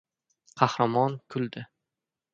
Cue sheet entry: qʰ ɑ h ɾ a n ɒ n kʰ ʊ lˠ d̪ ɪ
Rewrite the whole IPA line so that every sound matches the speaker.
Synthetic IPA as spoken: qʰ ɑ h ɾ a m ɒ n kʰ ʊ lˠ d̪ ɪ

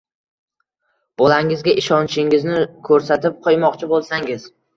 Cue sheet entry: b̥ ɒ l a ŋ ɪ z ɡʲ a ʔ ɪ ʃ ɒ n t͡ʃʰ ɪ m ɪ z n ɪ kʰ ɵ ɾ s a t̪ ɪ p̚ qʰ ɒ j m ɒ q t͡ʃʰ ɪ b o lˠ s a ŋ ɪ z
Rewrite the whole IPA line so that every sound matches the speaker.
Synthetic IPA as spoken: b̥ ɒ l a ŋ ɪ z ɡʲ a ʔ ɪ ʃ ɒ n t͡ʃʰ ɪ ŋ ɪ z n ɪ kʰ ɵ ɾ s a t̪ ɪ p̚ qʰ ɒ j m ɒ q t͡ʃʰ ɪ b o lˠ s a ŋ ɪ z

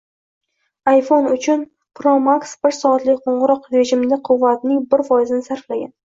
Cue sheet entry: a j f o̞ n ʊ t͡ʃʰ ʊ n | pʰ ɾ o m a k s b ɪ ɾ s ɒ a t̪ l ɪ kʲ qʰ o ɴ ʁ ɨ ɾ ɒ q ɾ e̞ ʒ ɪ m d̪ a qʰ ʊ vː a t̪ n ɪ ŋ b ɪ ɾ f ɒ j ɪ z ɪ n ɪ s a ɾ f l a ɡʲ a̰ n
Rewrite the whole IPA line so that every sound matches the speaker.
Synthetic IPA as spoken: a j f o̞ n ʊ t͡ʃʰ ʊ n | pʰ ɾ o m a k s b ɪ ɾ s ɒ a t̪ l ɪ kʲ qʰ o ɴ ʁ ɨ ɾ ɒ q ɾ e̞ ʒ ɪ m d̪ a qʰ ʊ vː a t̪ n ɪ ŋ b ɪ ɾ f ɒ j ɪ z ɪ n ɪ s a ɾ f l a ɡʲ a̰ n

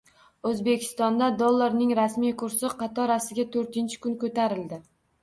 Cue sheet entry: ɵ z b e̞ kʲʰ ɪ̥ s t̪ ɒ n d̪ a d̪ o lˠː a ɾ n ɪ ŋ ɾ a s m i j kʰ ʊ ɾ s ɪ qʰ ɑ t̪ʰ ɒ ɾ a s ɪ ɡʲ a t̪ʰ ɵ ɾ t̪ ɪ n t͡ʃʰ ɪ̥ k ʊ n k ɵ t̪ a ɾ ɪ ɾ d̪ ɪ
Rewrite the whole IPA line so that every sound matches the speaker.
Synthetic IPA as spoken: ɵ z b e̞ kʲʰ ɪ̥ s t̪ ɒ n d̪ a d̪ o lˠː a ɾ n ɪ ŋ ɾ a s m i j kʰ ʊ ɾ s ɪ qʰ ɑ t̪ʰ ɒ ɾ a s ɪ ɡʲ a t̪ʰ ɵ ɾ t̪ ɪ n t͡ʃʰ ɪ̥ k ʊ n k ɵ t̪ a ɾ ɪ l d̪ ɪ

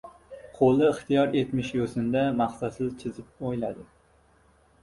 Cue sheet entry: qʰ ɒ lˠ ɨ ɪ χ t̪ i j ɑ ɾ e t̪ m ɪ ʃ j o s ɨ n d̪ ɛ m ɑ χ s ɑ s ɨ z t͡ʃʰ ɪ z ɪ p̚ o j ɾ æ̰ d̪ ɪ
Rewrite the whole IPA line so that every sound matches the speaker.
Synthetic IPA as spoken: qʰ o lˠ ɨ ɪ χ t̪ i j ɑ ɾ e t̪ m ɪ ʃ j o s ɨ n d̪ ɛ m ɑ χ s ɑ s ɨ z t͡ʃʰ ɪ z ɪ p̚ o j l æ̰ d̪ ɪ

